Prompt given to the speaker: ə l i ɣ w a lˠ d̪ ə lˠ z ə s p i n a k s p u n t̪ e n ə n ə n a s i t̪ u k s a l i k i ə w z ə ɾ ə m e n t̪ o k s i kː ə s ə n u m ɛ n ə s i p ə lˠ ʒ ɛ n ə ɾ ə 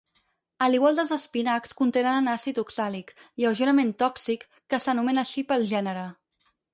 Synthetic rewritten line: ə l i ɣ w a lˠ d̪ ə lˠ z ə s p i n a k s k u n t̪ e n ə n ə n a s i t̪ u k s a l i k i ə w ʒ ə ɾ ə m e n t̪ ɔ k s i kː ə s ə n u m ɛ n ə ʃ i p ə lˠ ʒ ɛ n ə ɾ ə